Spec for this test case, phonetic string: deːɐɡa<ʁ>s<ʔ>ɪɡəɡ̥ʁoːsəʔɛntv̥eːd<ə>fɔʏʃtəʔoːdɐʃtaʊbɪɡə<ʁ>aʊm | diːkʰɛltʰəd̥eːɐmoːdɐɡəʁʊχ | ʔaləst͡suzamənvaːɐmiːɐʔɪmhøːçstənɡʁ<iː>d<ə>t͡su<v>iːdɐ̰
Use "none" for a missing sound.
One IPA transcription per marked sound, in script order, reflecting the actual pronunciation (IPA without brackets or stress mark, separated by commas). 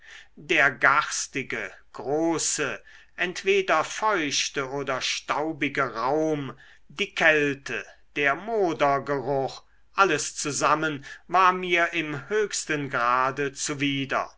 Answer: ʁ, t, ɐ, ʁ, aː, ə, v